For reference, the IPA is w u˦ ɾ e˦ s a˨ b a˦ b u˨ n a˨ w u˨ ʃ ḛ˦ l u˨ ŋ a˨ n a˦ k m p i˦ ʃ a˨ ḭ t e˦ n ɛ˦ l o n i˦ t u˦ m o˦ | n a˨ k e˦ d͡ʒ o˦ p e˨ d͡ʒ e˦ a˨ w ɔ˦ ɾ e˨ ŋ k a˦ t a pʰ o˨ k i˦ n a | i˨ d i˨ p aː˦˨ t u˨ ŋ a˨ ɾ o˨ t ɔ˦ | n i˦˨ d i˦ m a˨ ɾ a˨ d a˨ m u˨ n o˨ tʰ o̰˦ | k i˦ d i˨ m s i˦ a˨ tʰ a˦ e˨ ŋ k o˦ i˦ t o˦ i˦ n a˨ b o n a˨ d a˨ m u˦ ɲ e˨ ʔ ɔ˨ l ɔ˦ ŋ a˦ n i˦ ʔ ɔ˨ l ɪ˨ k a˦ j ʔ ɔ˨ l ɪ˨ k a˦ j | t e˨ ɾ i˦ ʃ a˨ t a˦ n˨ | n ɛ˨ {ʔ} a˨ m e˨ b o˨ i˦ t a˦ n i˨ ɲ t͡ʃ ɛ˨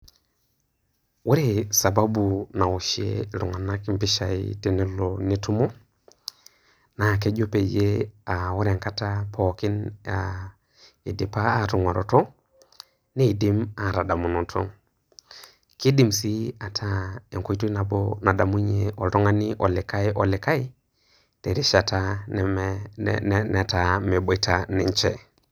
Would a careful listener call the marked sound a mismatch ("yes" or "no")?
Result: yes